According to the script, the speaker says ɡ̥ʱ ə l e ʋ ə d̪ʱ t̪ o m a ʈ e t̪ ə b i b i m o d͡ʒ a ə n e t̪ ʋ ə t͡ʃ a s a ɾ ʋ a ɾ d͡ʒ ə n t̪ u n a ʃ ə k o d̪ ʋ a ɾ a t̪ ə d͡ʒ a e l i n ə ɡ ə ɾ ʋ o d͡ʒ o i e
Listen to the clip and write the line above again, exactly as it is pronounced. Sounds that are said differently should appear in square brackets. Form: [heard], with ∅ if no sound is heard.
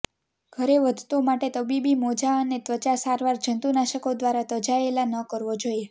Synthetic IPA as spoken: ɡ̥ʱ ə [ɾ] e ʋ ə d̪ʱ t̪ o m a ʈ e t̪ ə b i b i m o d͡ʒ a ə n e t̪ ʋ ə t͡ʃ a s a ɾ ʋ a ɾ d͡ʒ ə n t̪ u n a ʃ ə k o d̪ ʋ a ɾ a t̪ ə d͡ʒ a e l [a] n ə [k] ə ɾ ʋ o d͡ʒ o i e

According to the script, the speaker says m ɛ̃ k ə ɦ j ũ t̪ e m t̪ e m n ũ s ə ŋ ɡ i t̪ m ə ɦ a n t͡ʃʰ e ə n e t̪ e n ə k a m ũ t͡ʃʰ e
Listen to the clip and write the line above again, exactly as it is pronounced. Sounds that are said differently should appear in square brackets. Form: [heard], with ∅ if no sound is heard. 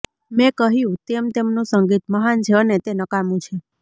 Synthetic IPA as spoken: m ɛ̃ k ə ɦ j ũ t̪ e m t̪ e m n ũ s ə ŋ ɡ i t̪ m ə ɦ a n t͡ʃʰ e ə n e t̪ e n ə k a m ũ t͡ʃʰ e

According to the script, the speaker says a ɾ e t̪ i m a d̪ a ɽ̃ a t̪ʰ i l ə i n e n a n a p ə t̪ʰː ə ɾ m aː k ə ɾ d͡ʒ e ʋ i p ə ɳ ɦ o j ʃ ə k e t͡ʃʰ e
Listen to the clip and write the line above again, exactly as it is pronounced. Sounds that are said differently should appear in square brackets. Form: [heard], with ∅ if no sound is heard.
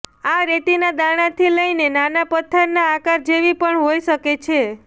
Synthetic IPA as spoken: a ɾ e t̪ i [n] a d̪ a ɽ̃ a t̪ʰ i l ə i n e n a n a p ə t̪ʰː ə ɾ [n] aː k [a] ɾ d͡ʒ e ʋ i p ə ɳ ɦ o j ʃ ə k e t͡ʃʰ e

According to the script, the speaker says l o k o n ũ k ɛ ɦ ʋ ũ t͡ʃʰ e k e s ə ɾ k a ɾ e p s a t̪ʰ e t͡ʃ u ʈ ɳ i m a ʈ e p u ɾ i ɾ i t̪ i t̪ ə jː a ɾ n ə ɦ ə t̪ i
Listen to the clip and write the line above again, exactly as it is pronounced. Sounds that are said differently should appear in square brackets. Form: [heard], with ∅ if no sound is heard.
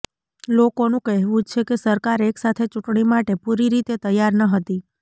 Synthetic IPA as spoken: l o k o n ũ k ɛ ɦ ʋ ũ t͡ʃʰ e k e s ə ɾ k a ɾ e [k] s a t̪ʰ e t͡ʃ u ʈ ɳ i m a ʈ e p u ɾ i ɾ i t̪ [e] t̪ ə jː a ɾ n ə ɦ ə t̪ i

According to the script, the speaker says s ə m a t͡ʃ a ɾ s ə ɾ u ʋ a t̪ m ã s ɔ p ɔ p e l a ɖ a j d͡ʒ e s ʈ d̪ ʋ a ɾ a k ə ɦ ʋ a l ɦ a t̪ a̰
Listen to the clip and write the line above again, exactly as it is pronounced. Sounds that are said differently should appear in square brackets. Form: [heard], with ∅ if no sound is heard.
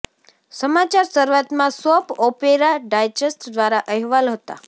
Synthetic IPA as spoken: s ə m a t͡ʃ a ɾ s ə ɾ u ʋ a t̪ m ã s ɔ p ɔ p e [ɾ] a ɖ a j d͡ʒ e s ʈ d̪ ʋ a ɾ a [ʔ] ə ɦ ʋ a l ɦ [ə] t̪ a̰

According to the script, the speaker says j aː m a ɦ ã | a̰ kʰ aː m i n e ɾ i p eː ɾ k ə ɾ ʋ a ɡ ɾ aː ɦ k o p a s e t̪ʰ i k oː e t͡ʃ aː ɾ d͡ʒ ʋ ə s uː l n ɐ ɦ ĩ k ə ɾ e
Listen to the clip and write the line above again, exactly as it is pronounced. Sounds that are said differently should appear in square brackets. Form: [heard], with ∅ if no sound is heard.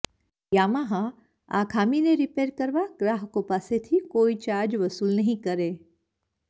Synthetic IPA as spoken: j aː m a ɦ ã | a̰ kʰ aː m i n e ɾ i p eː ɾ k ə ɾ ʋ a ɡ ɾ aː ɦ k o p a s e t̪ʰ i k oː [i] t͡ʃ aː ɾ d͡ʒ ʋ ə s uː l n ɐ ɦ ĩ k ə ɾ e

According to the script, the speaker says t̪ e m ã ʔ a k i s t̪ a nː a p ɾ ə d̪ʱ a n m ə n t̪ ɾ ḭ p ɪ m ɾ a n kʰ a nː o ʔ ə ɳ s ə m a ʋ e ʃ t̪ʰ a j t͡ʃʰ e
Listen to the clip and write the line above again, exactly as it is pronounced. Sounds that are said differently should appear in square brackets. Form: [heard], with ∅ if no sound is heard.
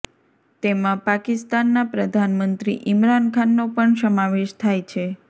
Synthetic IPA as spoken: t̪ e m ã [p] a k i s t̪ a nː a p ɾ ə d̪ʱ a n m ə n t̪ ɾ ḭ [ʔ] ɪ m ɾ a n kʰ a nː o [p] ə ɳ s ə m a ʋ e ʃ t̪ʰ a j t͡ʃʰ e

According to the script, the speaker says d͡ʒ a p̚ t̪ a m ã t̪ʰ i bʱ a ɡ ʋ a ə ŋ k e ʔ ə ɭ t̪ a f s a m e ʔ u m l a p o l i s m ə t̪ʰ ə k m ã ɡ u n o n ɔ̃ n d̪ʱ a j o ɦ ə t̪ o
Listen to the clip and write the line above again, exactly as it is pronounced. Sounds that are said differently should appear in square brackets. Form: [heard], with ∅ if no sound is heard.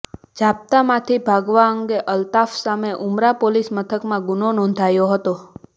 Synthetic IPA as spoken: d͡ʒ a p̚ t̪ a m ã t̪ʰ i bʱ a ɡ ʋ a ə ŋ [ɡ] e ʔ ə [l] t̪ a f s a m e ʔ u m [ɾ] a p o l i s m ə t̪ʰ ə k m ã ɡ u n o n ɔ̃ n d̪ʱ a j o ɦ ə t̪ o

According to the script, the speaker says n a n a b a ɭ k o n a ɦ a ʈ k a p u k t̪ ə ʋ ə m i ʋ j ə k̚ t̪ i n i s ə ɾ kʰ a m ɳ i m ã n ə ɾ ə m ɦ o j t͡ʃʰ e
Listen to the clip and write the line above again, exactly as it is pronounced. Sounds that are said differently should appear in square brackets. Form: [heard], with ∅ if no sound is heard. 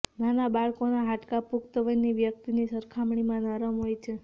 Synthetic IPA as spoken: n a n a b a ɭ k o n a ɦ a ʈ k a p u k t̪ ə ʋ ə [n] i ʋ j ə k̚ t̪ i n i s ə ɾ kʰ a m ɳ i m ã n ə ɾ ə m ɦ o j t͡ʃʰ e

